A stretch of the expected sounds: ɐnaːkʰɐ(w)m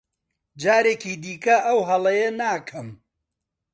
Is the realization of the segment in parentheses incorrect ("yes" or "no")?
yes